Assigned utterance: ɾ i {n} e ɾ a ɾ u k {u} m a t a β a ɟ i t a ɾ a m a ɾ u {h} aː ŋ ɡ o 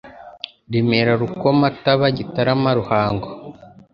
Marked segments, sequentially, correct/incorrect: incorrect: m, incorrect: o, correct

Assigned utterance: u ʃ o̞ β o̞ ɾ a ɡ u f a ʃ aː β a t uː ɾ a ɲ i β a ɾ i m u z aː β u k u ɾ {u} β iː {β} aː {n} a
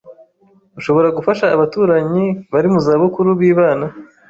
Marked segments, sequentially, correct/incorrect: correct, correct, correct

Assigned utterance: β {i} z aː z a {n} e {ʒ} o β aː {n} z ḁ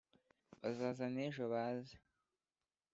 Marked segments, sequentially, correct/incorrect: incorrect: a, correct, correct, incorrect: none

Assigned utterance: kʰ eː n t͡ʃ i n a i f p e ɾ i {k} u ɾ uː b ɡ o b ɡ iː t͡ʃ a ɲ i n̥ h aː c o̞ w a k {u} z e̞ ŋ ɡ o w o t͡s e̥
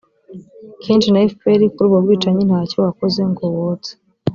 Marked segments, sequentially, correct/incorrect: correct, incorrect: o

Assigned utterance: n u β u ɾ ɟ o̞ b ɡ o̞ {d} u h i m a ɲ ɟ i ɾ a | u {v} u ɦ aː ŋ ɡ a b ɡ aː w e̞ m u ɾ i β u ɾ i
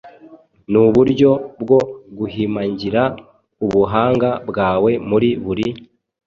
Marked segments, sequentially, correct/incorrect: incorrect: ɡ, incorrect: β

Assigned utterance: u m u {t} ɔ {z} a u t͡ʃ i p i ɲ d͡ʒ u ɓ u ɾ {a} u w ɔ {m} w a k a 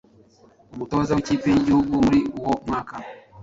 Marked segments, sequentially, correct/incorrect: correct, correct, incorrect: i, correct

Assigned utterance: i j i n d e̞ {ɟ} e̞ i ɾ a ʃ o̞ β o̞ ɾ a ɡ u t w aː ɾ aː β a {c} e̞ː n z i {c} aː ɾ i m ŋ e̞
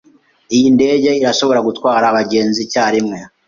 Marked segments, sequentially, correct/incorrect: correct, incorrect: ɟ, correct

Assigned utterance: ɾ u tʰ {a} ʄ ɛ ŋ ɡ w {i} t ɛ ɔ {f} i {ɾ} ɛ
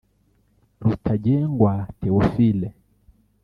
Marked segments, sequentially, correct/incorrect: correct, incorrect: a, correct, incorrect: l

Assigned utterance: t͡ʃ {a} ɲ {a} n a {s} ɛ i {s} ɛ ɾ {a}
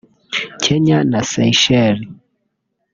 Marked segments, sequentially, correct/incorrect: incorrect: ɛ, correct, correct, incorrect: ʃ, incorrect: i

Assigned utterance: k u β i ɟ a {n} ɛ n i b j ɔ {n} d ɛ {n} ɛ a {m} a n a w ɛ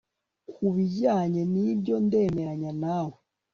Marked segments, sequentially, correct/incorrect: incorrect: ɲ, correct, incorrect: m, incorrect: ɲ

